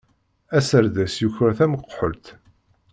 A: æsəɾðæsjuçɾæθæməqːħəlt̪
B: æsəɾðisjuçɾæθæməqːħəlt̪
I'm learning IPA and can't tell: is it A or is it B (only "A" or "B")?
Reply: A